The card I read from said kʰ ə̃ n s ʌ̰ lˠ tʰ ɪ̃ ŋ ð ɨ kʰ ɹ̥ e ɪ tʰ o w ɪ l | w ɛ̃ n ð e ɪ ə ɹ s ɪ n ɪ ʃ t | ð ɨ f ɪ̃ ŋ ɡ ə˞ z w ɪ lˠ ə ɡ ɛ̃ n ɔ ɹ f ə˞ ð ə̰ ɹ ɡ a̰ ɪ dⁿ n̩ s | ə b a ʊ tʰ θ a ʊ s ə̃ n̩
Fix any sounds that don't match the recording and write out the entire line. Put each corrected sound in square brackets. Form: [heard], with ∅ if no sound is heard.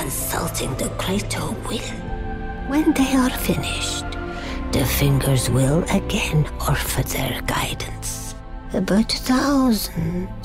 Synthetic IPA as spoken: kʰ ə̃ n s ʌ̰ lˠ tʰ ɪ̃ ŋ ð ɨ kʰ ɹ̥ e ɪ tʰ o w ɪ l | w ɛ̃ n ð e ɪ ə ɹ [f] ɪ n ɪ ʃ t | ð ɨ f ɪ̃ ŋ ɡ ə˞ z w ɪ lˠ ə ɡ ɛ̃ n ɔ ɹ f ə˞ ð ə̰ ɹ ɡ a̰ ɪ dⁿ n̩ s | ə b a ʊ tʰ θ a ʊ [z] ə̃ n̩